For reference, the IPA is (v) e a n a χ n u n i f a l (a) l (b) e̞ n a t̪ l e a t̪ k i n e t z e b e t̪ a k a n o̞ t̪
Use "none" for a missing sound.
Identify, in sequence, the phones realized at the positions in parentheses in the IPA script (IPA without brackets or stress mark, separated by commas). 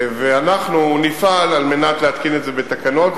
v, a, m